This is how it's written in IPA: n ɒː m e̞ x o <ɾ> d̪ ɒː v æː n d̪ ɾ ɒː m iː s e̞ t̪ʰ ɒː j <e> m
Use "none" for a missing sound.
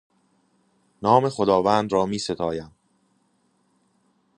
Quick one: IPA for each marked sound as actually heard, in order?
none, æ

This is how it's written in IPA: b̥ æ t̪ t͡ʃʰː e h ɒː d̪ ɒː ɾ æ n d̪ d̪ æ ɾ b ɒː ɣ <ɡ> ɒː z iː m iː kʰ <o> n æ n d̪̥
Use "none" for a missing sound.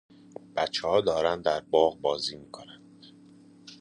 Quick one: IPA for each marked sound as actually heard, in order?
b, o

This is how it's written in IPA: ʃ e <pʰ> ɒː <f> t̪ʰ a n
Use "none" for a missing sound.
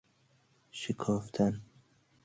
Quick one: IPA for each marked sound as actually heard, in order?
kʰ, f

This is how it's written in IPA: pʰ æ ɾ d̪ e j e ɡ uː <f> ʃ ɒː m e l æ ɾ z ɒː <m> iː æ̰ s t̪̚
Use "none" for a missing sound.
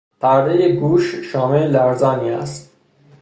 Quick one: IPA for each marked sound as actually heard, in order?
ʃ, n

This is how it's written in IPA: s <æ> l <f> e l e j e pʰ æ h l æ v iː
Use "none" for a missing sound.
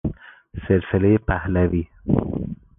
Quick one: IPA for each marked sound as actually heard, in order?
e, s

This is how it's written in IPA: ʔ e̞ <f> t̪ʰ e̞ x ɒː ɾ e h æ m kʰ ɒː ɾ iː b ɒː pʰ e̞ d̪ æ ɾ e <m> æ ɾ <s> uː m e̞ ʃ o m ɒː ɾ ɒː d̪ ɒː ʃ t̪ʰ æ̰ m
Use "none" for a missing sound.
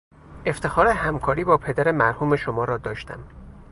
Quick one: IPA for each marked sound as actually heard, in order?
f, m, h

